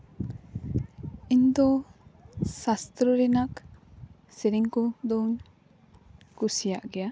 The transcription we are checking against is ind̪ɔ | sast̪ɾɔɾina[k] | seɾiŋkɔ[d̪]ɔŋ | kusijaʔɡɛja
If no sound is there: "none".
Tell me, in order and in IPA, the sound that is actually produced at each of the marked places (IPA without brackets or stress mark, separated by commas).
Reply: k, d̪